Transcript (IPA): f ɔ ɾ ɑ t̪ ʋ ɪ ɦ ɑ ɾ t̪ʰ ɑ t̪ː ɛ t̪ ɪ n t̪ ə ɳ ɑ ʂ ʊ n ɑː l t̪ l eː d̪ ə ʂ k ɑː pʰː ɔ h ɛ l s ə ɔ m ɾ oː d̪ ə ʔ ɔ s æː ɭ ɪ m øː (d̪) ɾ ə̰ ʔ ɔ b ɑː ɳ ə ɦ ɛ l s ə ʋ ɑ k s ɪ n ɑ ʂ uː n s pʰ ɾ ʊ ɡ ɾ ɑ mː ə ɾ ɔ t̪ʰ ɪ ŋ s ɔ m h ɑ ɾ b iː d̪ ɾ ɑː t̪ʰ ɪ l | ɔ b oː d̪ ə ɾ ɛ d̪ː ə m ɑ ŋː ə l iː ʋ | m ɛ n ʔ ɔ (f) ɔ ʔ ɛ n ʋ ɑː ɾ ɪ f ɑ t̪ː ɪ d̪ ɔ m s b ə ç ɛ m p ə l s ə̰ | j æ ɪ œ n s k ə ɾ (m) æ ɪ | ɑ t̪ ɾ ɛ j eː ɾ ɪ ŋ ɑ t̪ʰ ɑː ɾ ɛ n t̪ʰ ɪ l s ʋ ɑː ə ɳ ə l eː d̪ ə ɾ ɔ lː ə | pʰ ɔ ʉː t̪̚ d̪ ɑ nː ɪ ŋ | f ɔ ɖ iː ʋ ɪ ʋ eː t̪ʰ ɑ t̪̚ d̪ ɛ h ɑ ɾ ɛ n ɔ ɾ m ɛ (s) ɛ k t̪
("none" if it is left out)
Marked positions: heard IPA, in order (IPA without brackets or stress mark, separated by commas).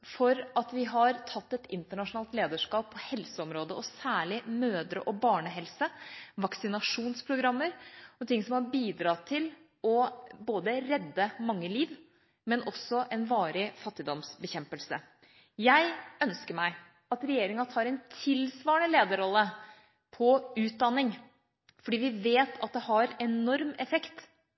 d̪, s, m, f